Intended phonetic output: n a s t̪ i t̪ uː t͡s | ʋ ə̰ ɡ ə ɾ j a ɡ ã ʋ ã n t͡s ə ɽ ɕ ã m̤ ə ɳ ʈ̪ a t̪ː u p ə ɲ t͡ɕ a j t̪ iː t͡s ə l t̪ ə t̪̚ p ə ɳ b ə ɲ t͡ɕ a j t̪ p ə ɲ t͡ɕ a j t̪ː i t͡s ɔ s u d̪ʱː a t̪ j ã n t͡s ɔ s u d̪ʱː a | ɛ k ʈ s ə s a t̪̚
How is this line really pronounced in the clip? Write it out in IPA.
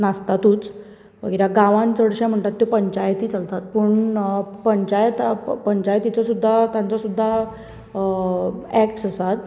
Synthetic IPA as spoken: n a s t̪ a t̪ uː t͡s | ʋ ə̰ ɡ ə ɾ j a ɡ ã ʋ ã n t͡s ə ɽ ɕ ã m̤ ə ɳ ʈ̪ a t̪ː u p ə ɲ t͡ɕ a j t̪ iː t͡s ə l t̪ a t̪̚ p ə ɳ p ə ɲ t͡ɕ a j t̪ p ə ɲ t͡ɕ a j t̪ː i t͡s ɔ s u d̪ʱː a t̪ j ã n t͡s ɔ s u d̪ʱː a | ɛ k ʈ s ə s a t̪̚